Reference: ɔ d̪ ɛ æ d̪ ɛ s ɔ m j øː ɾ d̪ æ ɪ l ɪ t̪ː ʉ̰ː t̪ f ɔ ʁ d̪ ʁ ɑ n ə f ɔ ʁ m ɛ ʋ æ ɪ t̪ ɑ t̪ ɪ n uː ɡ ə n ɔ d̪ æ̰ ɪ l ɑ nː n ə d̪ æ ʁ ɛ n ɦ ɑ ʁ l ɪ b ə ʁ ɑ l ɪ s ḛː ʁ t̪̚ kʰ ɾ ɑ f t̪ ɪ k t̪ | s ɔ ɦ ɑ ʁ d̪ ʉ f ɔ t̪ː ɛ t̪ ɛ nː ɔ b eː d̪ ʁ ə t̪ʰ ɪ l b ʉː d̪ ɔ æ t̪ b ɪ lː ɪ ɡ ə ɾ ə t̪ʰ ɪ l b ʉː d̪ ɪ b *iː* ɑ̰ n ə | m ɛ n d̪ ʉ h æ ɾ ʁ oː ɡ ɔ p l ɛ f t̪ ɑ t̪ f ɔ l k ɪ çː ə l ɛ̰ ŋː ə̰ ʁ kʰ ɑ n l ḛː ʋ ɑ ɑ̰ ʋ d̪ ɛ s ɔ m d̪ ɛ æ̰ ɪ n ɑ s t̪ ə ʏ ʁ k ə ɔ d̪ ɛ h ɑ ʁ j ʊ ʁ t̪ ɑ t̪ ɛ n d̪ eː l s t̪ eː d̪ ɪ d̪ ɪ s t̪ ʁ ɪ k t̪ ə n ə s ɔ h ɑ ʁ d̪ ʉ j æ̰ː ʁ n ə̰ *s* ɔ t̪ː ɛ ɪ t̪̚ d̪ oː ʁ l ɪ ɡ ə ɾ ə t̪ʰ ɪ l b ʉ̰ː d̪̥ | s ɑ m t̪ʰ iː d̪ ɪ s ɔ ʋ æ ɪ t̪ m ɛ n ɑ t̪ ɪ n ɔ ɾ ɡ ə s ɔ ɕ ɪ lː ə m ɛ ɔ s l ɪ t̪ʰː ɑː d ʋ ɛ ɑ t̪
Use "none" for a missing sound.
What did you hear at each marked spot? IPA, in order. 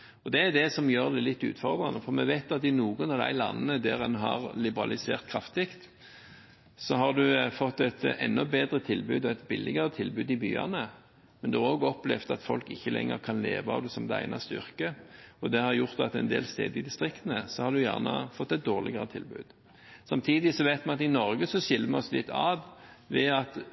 yː, f

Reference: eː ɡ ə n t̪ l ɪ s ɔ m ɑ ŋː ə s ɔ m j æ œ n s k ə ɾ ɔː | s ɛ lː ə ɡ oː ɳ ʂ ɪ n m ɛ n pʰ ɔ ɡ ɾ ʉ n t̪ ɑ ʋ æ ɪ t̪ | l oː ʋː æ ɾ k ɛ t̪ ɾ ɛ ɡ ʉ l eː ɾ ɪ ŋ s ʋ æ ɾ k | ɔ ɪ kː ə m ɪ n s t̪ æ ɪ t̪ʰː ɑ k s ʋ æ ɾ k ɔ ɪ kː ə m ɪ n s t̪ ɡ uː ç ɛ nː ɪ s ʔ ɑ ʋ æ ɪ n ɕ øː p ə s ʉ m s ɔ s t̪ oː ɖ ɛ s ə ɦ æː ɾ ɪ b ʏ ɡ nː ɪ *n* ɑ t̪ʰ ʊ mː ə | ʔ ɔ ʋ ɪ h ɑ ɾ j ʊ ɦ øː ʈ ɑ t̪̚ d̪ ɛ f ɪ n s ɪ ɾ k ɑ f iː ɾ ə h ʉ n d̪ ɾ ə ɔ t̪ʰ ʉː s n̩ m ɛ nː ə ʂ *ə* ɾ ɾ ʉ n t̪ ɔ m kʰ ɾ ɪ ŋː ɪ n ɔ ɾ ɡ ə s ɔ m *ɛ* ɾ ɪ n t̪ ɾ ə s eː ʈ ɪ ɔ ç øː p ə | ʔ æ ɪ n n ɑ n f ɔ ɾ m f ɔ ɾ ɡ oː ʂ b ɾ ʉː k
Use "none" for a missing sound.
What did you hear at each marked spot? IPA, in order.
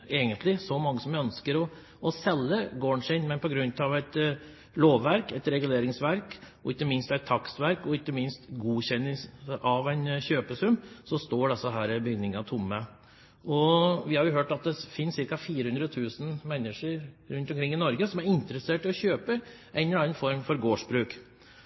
ŋ, ə, æ

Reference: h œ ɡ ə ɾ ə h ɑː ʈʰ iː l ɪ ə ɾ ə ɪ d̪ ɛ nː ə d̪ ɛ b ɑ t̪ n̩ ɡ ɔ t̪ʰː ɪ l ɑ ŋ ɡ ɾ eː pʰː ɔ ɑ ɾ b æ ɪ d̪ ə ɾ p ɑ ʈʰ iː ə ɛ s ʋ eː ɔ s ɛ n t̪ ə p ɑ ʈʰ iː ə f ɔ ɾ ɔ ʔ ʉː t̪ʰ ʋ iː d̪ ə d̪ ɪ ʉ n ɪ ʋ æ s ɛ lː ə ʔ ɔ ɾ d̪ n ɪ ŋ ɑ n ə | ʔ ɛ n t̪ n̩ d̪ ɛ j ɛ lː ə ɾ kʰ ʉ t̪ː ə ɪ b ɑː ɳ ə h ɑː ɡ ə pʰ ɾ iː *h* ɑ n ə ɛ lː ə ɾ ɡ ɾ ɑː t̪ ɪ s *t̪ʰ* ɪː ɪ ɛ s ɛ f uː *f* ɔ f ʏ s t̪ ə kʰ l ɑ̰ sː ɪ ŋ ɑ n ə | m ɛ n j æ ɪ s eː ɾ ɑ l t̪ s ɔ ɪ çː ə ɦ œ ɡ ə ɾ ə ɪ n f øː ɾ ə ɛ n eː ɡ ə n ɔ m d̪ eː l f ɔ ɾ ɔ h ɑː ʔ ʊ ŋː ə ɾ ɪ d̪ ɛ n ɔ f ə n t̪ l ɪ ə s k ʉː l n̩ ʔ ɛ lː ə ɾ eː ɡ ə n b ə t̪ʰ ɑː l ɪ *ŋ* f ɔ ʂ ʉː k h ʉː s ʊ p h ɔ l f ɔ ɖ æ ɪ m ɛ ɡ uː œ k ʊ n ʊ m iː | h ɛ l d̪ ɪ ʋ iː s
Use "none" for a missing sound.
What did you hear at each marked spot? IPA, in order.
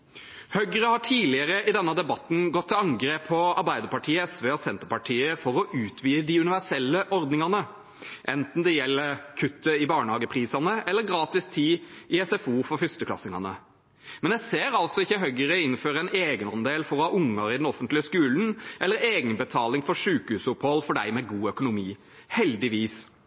s, t̪ʰ, f, ŋ

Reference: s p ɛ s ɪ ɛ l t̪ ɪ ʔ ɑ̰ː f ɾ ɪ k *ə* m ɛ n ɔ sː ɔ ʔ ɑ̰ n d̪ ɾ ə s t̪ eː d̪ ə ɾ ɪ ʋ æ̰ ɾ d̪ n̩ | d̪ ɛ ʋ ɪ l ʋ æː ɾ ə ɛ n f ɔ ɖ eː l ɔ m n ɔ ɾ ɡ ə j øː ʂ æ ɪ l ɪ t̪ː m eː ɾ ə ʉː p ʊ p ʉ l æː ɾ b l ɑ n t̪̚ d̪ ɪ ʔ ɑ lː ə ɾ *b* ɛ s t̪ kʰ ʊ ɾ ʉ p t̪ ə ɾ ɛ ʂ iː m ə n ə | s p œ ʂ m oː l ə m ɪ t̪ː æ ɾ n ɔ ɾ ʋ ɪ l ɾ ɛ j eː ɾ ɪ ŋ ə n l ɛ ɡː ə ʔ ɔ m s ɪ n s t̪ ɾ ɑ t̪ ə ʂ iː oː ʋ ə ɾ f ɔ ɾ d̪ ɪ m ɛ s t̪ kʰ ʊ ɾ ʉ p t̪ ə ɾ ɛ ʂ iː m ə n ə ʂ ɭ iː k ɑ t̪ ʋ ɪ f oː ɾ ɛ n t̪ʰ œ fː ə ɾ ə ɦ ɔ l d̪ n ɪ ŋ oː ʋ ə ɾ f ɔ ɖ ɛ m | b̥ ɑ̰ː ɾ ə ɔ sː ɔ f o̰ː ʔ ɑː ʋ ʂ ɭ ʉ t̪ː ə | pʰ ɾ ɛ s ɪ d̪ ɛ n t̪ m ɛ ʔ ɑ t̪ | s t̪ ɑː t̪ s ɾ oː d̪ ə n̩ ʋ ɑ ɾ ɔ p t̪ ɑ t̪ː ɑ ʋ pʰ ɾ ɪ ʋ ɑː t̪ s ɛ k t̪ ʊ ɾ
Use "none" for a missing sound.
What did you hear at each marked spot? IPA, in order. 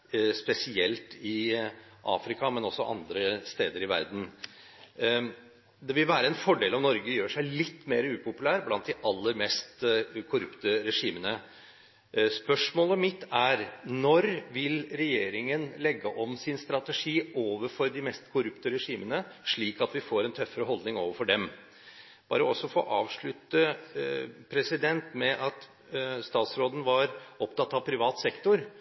ɑ, m

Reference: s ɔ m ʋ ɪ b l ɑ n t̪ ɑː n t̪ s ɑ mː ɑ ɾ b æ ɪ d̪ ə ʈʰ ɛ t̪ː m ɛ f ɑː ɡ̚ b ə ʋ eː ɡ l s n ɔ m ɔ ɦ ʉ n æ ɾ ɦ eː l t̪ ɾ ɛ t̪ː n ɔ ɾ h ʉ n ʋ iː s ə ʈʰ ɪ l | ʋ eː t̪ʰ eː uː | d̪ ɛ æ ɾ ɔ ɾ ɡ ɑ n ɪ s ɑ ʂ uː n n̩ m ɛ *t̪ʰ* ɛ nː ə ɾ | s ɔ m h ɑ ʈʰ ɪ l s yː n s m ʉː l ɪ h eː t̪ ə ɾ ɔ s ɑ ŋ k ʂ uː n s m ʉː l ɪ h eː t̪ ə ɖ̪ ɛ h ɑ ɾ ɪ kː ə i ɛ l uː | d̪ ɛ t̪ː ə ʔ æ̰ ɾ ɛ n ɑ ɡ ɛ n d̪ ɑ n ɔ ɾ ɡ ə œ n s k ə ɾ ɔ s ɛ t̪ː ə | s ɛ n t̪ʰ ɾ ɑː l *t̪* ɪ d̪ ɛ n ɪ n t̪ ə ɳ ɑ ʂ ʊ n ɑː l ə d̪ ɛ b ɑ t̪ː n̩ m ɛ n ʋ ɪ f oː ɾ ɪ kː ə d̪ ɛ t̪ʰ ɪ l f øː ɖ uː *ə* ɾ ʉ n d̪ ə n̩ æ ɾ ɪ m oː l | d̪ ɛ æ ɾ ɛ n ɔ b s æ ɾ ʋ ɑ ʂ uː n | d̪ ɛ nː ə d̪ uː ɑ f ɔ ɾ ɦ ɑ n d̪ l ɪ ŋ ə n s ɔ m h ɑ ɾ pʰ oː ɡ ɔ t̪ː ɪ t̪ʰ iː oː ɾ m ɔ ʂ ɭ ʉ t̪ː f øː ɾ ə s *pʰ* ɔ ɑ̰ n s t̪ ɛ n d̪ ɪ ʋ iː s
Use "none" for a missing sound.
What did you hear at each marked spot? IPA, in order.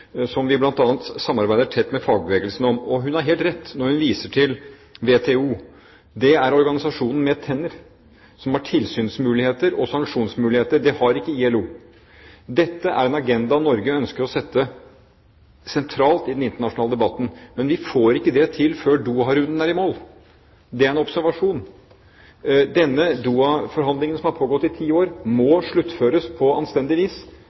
t̪ʰ, t̪, ɑ, pʰ

